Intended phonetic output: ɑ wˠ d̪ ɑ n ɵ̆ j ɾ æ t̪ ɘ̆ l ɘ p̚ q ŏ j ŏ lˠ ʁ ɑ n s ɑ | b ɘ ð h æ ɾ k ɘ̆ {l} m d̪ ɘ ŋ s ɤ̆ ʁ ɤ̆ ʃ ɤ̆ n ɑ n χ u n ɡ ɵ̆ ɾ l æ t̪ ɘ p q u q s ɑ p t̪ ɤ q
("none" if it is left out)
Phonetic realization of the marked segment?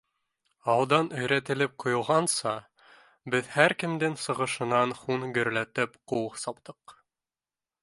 none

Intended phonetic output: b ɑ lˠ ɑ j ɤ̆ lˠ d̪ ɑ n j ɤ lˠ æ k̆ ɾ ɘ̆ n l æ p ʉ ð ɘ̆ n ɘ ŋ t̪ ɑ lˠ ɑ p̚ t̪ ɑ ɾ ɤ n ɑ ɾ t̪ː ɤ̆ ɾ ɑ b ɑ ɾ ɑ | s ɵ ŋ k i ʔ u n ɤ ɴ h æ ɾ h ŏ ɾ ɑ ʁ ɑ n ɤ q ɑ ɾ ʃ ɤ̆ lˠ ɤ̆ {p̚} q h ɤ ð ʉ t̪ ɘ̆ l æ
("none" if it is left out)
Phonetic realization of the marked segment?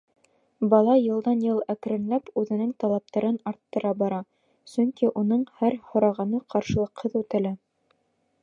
none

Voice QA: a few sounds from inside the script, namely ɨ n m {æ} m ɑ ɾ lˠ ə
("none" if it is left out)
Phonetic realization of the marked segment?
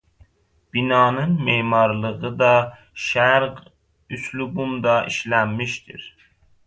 e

